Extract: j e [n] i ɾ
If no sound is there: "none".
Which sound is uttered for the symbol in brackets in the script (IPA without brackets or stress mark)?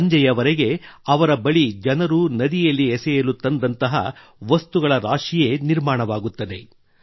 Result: n